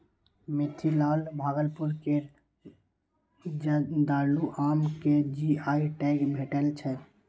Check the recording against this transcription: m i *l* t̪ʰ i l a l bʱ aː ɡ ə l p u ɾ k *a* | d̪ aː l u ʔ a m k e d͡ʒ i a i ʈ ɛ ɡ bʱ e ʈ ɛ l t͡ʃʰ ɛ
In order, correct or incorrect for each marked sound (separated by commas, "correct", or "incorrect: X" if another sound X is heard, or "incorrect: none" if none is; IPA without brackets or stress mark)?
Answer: incorrect: none, incorrect: e